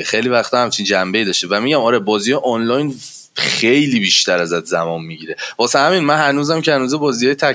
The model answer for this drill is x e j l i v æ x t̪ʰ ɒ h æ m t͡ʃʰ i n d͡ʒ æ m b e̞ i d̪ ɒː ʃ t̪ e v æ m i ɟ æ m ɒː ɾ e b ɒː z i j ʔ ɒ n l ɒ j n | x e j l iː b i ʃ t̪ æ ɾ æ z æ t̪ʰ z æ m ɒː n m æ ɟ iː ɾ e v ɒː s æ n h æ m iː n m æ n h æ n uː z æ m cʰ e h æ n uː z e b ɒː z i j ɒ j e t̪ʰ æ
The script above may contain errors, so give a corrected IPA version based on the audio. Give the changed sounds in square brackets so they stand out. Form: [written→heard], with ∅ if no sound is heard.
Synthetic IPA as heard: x e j l i v æ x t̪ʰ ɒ h æ m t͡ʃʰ i n d͡ʒ æ m b e̞ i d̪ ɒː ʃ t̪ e v æ m i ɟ æ m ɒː ɾ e b ɒː z i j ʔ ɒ n l ɒ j n | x e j l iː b i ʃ t̪ æ ɾ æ z æ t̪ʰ z æ m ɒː n m [æ→i] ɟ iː ɾ e v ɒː s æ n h æ m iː n m æ n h æ n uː z æ m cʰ e h æ n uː z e b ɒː z i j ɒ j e t̪ʰ æ